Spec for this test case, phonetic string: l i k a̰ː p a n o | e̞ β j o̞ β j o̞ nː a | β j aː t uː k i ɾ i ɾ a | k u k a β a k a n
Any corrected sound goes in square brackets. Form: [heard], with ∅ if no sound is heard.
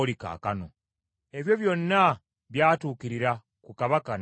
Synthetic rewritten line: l i k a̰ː [k] a n o | e̞ β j o̞ β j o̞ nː a | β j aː t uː k i ɾ i ɾ a | k u k a β a k a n